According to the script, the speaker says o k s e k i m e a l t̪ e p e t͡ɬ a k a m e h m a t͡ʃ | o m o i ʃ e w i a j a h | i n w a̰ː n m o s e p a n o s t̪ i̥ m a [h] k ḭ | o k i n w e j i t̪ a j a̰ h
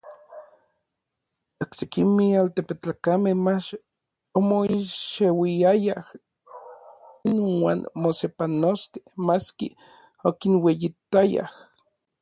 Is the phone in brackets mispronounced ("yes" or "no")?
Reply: yes